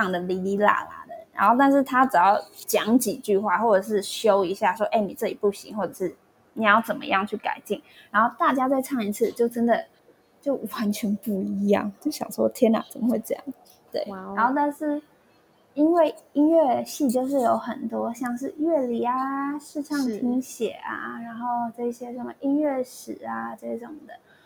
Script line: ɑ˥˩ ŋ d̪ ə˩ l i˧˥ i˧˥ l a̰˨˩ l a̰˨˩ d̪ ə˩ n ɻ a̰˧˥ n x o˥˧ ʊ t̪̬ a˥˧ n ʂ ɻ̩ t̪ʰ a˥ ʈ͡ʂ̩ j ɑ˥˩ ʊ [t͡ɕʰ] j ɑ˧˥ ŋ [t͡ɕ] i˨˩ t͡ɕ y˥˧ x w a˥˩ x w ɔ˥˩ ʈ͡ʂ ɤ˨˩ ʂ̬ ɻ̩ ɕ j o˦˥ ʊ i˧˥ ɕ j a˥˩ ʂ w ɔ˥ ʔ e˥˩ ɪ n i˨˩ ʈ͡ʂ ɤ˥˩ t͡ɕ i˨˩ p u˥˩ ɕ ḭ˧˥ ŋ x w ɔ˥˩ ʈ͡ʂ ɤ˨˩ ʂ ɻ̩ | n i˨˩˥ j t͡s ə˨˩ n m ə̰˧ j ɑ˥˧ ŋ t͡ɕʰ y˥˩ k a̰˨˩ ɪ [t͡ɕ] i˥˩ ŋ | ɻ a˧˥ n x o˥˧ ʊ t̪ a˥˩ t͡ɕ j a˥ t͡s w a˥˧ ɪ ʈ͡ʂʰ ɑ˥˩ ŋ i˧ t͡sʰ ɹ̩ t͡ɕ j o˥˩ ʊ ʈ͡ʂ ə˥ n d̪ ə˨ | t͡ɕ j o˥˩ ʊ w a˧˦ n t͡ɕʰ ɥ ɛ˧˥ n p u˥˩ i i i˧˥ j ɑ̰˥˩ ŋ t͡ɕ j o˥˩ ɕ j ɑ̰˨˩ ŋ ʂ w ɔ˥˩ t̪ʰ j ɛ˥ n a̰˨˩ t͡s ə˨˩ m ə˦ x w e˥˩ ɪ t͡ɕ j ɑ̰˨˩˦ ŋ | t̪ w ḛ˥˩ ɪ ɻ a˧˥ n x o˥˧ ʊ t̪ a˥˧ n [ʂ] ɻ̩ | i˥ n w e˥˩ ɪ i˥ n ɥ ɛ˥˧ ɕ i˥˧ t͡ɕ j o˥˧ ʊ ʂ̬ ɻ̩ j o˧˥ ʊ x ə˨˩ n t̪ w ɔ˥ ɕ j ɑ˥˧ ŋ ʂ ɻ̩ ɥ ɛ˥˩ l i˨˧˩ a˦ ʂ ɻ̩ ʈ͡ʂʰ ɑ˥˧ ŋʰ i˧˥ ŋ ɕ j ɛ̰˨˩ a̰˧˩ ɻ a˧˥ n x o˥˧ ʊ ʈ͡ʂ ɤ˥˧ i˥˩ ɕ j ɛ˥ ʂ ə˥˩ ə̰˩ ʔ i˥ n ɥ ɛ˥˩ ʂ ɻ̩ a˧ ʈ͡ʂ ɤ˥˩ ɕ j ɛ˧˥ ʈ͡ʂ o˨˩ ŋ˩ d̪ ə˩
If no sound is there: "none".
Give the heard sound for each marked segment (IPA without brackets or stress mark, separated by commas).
t͡ɕ, t͡ɕ, t͡ɕ, ʂ